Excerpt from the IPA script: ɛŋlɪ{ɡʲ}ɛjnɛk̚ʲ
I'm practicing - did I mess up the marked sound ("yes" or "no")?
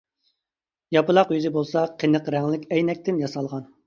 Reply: yes